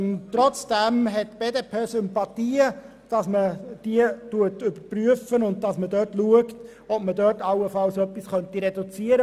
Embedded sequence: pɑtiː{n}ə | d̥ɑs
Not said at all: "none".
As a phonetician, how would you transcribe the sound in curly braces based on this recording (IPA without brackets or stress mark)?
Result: none